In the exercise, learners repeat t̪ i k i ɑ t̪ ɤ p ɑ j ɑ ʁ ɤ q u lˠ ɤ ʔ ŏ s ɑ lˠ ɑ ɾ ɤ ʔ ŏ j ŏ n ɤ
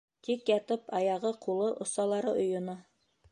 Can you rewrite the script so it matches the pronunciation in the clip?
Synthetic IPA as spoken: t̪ i k j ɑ t̪ ɤ p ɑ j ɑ ʁ ɤ q u lˠ ɤ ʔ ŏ s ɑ lˠ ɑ ɾ ɤ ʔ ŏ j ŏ n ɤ